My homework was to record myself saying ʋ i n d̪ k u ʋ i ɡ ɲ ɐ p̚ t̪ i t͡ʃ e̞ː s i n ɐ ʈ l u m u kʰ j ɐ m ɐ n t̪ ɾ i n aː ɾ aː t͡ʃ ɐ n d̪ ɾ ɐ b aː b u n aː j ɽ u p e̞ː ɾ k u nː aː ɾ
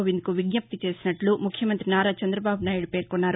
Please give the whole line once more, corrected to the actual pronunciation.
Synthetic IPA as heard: ʋ i n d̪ k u ʋ i ɡ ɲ ɐ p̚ t̪ i t͡ʃ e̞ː s i n ɐ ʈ l u m u kʰ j ɐ m ɐ n t̪ ɾ i n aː ɾ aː t͡ʃ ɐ n d̪ ɾ ɐ b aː b u n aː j ɽ u p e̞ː ɾ k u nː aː ɾ